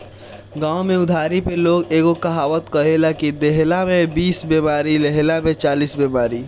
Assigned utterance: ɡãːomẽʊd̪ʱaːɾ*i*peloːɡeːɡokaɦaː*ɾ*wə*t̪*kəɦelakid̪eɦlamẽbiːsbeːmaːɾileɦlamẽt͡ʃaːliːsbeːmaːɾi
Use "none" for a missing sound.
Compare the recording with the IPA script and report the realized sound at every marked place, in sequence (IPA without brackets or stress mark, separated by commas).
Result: i, none, t̪